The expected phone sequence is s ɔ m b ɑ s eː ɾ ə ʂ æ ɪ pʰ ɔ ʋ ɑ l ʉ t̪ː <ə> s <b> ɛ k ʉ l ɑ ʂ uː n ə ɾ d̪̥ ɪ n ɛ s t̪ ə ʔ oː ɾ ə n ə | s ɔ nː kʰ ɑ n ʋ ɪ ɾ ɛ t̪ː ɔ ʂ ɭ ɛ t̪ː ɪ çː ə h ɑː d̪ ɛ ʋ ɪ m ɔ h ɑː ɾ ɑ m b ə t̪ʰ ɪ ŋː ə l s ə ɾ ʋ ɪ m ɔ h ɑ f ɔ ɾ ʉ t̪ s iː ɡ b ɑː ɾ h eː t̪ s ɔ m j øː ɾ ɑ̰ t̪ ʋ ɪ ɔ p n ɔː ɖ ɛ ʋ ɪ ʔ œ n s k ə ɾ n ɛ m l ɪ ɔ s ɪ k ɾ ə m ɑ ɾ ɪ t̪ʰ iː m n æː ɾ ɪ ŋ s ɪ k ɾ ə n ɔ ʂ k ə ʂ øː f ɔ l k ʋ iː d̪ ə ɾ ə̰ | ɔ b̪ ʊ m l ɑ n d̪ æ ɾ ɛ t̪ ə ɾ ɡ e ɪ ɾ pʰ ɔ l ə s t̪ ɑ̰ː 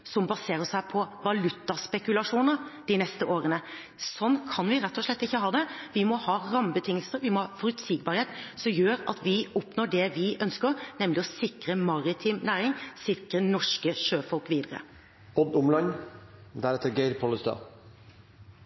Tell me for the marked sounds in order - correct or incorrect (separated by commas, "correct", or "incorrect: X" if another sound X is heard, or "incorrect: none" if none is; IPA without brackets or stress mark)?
incorrect: ɑ, incorrect: p